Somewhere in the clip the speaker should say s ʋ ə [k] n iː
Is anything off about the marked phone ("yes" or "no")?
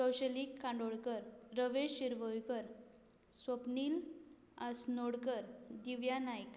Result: yes